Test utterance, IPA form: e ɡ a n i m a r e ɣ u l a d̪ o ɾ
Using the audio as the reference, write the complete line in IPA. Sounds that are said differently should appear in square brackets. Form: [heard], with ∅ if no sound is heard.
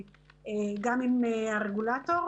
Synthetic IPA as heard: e ɡ a [m] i [n] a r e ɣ u l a [t̪] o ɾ